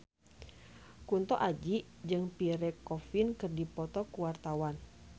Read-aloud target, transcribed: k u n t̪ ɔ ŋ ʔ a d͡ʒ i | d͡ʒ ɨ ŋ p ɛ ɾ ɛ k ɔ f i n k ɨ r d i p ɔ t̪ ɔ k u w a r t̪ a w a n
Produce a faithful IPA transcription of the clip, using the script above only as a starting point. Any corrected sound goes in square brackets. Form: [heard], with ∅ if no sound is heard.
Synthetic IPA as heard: k u n t̪ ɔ [∅] ʔ a d͡ʒ i | d͡ʒ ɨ ŋ p [i] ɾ ɛ k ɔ f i n k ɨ r d i p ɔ t̪ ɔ k u w a r t̪ a w a n